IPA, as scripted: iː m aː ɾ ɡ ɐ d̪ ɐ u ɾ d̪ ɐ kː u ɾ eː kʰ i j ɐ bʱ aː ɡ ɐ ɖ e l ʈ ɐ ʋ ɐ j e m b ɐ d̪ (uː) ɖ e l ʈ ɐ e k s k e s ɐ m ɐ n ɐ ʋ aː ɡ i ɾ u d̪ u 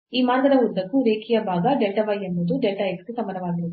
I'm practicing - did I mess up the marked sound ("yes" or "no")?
yes